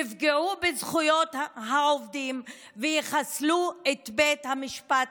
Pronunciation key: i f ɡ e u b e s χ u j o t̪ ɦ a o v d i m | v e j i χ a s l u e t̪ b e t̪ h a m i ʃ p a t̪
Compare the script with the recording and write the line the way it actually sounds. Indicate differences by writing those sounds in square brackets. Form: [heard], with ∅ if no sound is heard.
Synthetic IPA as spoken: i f ɡ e u b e [z] χ u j o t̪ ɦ a o v d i m | v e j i χ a s l u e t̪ b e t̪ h a m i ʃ p a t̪